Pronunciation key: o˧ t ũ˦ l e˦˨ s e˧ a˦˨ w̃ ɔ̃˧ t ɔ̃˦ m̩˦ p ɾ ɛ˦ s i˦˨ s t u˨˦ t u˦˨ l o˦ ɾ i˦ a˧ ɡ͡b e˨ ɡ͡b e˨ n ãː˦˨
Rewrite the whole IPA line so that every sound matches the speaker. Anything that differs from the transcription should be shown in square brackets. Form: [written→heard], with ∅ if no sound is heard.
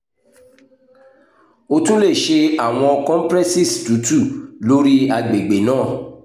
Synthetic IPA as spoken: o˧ t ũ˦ l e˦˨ [s→ʃ] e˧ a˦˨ w̃ ɔ̃˧ [t→k] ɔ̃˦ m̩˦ p ɾ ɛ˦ s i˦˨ s t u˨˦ t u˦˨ l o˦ ɾ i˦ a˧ ɡ͡b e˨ ɡ͡b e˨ n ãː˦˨